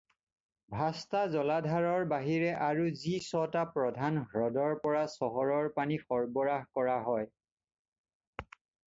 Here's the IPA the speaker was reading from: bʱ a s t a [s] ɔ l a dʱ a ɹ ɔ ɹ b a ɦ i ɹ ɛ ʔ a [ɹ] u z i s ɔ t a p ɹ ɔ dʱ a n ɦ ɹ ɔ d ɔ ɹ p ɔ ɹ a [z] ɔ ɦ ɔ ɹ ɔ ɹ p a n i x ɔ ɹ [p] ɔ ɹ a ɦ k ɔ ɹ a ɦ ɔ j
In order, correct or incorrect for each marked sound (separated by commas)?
incorrect, correct, incorrect, incorrect